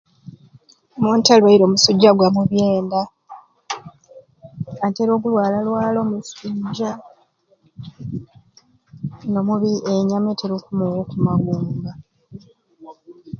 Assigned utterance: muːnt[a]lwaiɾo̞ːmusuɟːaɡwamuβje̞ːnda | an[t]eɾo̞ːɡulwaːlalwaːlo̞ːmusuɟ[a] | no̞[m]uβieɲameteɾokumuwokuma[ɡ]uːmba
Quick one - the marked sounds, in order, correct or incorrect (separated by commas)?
correct, correct, correct, correct, correct